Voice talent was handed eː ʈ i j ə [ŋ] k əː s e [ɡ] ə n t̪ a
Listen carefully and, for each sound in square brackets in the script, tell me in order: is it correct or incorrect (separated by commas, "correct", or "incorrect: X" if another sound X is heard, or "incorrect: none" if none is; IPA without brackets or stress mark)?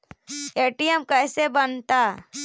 incorrect: m, incorrect: b